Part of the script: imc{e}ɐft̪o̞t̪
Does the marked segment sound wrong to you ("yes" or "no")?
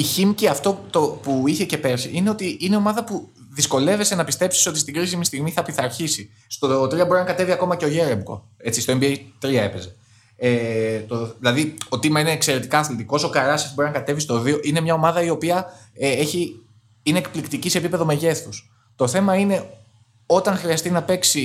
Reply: yes